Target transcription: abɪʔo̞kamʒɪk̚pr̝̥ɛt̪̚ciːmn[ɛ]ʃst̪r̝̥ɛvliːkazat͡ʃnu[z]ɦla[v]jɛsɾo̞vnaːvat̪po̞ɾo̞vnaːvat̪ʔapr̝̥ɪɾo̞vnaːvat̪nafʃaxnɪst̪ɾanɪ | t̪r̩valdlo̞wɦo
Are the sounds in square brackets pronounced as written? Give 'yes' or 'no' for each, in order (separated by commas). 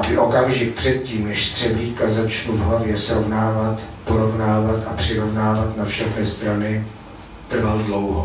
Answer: yes, no, yes